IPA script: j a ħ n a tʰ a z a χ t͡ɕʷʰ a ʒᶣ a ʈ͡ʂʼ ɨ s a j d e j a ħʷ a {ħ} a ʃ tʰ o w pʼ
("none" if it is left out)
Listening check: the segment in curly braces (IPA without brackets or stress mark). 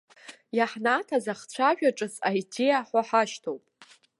ħ